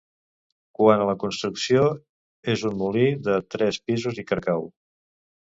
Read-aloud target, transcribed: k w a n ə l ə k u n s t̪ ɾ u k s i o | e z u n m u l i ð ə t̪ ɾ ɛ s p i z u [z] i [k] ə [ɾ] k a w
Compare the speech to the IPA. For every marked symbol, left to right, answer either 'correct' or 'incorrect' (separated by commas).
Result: correct, correct, correct